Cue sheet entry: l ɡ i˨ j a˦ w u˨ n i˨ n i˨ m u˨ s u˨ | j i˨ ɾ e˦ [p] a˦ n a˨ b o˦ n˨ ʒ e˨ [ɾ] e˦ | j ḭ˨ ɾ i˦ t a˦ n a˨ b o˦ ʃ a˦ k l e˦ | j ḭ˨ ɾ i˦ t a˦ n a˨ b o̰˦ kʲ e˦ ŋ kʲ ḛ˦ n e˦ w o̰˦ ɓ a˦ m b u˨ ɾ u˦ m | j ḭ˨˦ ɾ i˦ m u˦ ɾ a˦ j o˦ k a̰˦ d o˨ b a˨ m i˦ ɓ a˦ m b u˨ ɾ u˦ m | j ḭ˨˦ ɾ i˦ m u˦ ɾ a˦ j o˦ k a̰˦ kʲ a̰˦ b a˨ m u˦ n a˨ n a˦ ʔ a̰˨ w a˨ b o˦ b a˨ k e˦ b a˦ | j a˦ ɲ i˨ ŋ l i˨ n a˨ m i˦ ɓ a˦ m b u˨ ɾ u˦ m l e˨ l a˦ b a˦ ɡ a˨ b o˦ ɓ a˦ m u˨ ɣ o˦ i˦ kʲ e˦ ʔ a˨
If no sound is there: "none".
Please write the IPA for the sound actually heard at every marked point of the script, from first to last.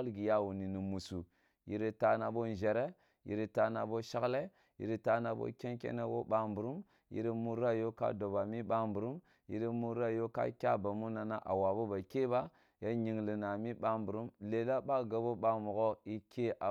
t, ɾ

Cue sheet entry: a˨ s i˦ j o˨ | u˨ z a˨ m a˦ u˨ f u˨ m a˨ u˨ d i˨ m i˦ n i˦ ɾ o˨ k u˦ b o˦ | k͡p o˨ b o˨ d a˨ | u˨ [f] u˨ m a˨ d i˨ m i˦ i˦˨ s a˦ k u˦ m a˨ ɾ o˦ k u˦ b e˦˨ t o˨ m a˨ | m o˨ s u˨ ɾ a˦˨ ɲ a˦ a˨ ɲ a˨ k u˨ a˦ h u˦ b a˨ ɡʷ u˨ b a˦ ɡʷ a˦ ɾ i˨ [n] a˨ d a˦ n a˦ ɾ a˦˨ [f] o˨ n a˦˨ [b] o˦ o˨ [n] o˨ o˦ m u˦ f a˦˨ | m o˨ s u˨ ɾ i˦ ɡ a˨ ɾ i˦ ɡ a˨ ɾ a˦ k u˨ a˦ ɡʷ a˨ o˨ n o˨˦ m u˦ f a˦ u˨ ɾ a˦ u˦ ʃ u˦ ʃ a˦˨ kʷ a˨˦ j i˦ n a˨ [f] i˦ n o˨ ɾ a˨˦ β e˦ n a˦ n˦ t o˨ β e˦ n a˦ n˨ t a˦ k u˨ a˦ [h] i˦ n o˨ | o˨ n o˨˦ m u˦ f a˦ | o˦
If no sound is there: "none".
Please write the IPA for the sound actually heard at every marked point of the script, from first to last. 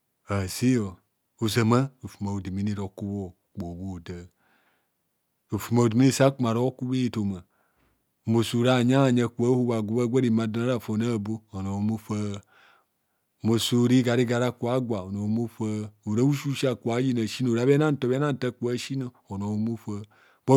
f, m, f, b, n, ʃ, ʃ

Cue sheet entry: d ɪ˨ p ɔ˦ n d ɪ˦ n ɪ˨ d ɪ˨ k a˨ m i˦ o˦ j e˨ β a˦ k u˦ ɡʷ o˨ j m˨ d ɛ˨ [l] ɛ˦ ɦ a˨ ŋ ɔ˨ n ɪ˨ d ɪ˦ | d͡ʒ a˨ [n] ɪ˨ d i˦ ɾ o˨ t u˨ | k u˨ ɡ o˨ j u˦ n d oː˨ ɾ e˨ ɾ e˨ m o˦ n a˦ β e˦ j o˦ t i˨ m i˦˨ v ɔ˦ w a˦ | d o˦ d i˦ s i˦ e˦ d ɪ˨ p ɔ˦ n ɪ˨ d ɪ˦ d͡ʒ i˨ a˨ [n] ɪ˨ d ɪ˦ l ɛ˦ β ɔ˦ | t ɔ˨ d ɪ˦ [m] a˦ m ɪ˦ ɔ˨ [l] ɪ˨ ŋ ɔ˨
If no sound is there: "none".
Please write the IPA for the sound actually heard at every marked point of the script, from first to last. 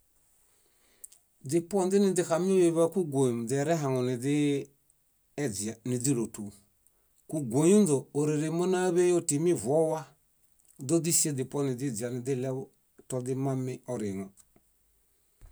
ɾ, n, n, m, ɾ

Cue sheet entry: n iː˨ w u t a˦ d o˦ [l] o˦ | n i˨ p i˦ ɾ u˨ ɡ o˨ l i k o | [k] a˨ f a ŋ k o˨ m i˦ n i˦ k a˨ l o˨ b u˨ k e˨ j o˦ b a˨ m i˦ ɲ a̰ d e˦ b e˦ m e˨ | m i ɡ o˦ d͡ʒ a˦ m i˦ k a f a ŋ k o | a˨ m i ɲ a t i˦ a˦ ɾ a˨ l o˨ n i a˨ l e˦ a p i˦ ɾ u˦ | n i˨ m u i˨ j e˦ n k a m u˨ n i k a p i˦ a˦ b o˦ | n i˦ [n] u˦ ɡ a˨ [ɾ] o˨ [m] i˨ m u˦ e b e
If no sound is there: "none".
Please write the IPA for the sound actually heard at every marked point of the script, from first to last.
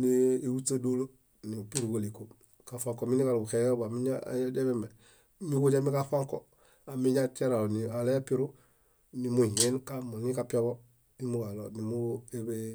l, k, m, l, n

